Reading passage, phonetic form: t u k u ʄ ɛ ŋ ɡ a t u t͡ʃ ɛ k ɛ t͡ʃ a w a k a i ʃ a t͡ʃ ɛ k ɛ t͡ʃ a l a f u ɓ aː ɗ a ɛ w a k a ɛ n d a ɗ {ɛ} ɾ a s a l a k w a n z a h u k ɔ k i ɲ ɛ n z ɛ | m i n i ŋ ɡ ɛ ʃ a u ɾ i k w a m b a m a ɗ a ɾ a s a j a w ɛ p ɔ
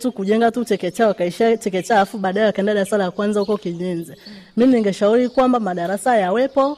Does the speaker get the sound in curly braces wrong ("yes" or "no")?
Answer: yes